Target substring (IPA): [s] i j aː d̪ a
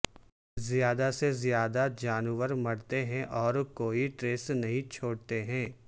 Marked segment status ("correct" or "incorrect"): incorrect